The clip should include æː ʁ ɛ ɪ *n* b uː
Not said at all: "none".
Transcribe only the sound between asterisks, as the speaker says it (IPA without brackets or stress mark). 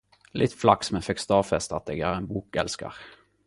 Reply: n